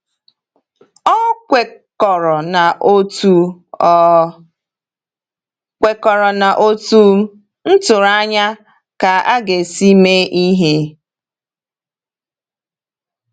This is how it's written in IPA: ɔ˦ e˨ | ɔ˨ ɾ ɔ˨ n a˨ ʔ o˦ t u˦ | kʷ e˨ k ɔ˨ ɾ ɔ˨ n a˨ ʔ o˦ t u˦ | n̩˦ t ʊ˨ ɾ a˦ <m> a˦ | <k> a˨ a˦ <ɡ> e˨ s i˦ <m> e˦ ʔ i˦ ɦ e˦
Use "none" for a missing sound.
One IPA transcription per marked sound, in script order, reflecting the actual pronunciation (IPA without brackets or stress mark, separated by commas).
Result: ɲ, k, ɡ, m